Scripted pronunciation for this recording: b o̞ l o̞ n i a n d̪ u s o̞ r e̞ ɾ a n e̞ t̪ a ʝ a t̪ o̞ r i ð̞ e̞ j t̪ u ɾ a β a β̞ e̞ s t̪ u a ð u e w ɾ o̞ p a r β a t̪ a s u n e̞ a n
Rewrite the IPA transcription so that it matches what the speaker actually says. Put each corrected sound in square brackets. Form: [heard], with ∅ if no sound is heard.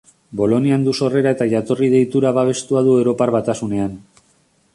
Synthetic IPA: b o̞ l o̞ n i a n d̪ u s o̞ r e̞ ɾ a [∅] e̞ t̪ a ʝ a t̪ o̞ r i ð̞ e̞ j t̪ u ɾ a β a β̞ e̞ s t̪ u a ð u e w ɾ o̞ p a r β a t̪ a s u n e̞ a n